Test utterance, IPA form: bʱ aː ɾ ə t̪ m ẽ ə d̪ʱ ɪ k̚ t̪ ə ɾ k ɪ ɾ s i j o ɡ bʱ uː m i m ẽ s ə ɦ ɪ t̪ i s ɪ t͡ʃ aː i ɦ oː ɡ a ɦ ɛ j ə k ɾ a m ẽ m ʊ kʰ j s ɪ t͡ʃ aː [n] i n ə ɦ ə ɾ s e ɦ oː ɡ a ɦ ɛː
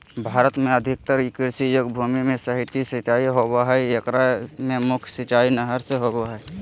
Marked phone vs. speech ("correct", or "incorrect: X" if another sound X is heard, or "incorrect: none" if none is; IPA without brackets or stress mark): incorrect: none